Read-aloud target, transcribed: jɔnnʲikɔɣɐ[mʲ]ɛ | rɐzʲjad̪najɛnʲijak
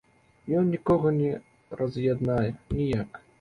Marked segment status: incorrect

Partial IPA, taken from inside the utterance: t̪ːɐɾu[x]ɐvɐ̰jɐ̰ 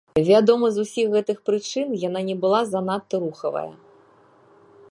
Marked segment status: correct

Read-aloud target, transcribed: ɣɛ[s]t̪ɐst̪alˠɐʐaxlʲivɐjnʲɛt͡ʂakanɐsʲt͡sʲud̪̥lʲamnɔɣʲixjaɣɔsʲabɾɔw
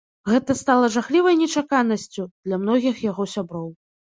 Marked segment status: incorrect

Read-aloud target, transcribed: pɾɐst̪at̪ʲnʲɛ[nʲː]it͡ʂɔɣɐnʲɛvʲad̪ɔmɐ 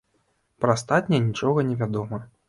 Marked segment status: incorrect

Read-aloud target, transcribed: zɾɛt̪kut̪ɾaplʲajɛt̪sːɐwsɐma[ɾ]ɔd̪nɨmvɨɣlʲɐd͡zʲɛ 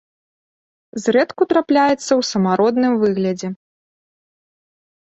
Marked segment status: correct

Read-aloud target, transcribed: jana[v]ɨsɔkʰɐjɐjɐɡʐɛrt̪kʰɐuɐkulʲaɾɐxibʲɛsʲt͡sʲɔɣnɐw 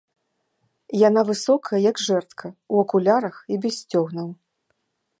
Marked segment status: correct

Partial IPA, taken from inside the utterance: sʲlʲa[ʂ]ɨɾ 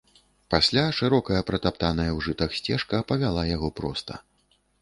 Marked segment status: correct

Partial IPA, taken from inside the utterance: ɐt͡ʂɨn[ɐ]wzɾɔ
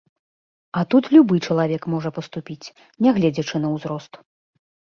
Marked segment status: correct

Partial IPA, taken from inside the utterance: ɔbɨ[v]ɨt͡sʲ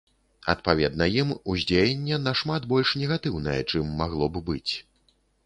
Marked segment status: incorrect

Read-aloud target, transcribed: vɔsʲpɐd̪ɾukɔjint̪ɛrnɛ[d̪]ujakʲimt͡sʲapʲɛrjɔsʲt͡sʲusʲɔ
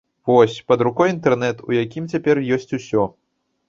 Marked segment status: incorrect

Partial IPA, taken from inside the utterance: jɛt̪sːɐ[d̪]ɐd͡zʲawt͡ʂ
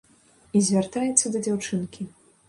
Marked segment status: correct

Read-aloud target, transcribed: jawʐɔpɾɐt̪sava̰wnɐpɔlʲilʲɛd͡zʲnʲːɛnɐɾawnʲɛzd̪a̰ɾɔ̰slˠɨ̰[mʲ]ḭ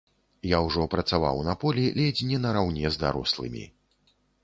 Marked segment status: correct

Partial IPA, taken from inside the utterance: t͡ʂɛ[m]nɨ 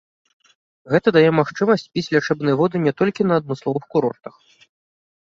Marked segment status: incorrect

